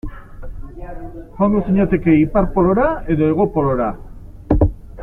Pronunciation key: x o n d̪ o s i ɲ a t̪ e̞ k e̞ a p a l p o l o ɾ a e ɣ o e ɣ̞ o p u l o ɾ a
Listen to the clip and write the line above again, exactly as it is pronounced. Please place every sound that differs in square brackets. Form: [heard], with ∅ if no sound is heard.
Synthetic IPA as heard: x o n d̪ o s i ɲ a t̪ e̞ k e̞ [i] p a [ɾ] p o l o ɾ a e [ð] o e ɣ̞ o p [o] l o ɾ a